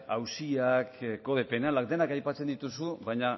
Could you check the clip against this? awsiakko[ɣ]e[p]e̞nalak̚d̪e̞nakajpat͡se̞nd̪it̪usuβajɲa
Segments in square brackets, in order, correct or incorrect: incorrect, correct

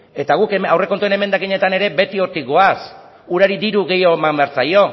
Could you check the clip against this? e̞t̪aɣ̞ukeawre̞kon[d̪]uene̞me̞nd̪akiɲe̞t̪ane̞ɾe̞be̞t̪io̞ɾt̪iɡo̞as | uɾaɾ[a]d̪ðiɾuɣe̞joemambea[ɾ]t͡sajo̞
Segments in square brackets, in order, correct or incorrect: incorrect, incorrect, correct

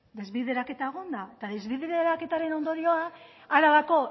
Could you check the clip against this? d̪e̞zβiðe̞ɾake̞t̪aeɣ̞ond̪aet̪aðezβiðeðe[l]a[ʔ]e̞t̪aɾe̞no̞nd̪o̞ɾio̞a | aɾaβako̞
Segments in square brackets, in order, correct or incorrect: incorrect, incorrect

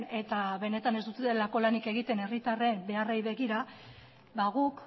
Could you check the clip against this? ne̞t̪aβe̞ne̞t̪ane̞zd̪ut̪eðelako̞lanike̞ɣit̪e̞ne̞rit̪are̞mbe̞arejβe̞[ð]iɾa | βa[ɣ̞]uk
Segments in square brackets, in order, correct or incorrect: incorrect, correct

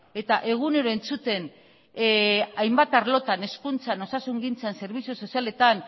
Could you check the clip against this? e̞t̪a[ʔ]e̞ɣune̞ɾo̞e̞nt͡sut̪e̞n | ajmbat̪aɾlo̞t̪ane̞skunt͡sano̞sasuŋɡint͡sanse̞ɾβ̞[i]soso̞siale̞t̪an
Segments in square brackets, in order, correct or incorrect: correct, correct

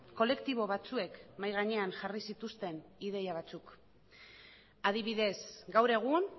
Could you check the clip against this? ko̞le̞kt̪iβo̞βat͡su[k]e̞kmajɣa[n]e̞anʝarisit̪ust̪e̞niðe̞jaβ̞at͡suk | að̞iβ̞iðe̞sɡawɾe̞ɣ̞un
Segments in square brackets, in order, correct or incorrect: incorrect, incorrect

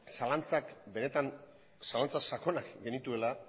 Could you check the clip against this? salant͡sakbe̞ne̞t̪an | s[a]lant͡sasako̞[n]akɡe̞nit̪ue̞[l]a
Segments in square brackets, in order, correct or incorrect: correct, correct, correct

